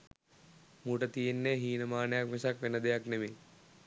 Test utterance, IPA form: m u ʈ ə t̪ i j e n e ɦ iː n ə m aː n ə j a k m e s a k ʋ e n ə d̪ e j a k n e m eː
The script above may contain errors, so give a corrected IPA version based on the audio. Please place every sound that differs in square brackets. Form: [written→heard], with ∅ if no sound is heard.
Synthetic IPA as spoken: m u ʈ ə t̪ i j e [n→nː] e ɦ iː n ə m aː n ə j a k m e s a k ʋ e n ə d̪ e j a k n e m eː